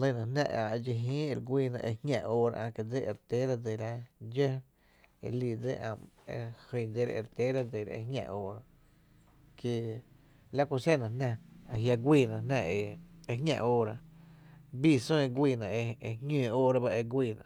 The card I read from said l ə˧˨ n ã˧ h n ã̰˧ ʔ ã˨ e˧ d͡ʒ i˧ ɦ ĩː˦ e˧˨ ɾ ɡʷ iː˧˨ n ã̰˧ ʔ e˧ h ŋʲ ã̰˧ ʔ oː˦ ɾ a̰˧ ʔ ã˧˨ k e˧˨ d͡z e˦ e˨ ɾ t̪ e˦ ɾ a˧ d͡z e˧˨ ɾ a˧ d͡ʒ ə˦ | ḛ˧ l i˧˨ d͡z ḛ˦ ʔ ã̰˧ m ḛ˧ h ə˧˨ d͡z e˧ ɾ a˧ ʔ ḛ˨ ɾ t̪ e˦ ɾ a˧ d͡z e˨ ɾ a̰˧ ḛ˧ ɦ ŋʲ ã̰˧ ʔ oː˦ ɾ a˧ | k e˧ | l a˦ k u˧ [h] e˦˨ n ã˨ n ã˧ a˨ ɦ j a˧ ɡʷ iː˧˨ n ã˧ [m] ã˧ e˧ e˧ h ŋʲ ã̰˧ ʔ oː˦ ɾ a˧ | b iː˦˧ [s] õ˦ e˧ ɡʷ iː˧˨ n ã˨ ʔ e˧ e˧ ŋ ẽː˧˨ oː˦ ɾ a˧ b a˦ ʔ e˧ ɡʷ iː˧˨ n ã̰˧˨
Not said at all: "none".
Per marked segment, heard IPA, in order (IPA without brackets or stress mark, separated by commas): s, n, s